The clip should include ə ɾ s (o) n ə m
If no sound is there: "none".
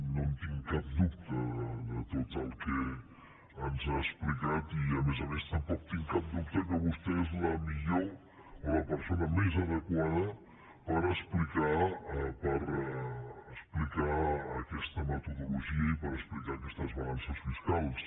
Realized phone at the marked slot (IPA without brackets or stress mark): o